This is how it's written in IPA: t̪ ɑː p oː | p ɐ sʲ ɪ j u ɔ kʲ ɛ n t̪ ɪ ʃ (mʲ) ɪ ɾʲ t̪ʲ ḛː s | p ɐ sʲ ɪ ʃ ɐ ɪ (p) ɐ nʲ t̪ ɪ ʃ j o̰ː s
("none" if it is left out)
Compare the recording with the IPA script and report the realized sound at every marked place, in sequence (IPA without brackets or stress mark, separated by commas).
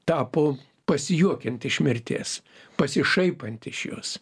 mʲ, p